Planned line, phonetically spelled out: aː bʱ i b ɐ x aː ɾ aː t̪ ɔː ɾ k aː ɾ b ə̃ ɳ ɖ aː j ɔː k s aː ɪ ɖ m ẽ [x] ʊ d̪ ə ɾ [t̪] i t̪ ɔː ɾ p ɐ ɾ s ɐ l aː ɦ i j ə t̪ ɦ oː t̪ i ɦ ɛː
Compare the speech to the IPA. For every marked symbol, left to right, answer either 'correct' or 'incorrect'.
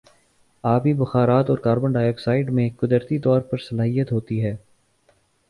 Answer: incorrect, correct

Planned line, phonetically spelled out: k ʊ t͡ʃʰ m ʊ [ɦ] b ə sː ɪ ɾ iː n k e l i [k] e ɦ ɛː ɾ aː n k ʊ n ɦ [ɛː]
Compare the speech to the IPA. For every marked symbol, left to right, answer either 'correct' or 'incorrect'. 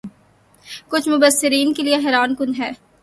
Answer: incorrect, incorrect, correct

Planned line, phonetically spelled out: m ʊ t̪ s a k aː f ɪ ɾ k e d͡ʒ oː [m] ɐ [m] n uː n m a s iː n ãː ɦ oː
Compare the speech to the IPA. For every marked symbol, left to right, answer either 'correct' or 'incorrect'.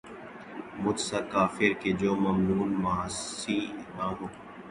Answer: correct, correct

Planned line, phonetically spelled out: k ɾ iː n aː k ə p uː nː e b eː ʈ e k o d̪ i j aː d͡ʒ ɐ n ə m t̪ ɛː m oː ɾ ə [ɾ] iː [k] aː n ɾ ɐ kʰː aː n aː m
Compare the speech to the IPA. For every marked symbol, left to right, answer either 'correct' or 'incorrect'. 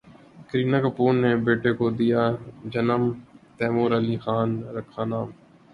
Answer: incorrect, incorrect

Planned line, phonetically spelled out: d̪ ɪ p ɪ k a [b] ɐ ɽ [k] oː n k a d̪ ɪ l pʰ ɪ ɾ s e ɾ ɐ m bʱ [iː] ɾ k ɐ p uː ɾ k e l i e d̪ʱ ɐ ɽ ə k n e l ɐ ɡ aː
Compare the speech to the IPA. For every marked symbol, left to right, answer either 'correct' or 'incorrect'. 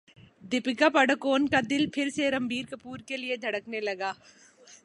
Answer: incorrect, correct, correct

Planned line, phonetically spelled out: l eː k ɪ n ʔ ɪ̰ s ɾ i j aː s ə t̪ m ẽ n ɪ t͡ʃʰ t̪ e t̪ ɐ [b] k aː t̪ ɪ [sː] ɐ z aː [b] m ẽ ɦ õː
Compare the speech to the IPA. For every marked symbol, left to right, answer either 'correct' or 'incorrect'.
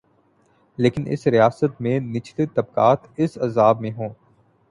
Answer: correct, incorrect, correct

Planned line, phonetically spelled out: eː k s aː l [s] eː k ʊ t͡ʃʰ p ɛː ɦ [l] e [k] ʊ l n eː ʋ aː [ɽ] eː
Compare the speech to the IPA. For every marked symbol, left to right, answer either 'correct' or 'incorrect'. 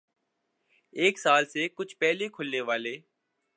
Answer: correct, correct, incorrect, incorrect

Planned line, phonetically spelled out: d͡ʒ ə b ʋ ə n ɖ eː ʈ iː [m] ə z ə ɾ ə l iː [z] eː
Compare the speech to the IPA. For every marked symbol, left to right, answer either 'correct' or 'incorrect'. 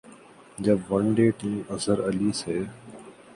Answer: correct, incorrect

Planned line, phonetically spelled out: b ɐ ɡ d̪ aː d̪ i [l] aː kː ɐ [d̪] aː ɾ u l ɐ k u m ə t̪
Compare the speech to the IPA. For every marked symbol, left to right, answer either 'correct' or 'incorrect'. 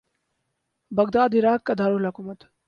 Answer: incorrect, correct

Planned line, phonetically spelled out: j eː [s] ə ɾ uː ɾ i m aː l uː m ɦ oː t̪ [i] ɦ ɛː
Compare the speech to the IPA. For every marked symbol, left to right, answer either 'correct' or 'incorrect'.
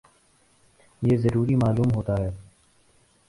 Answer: incorrect, incorrect

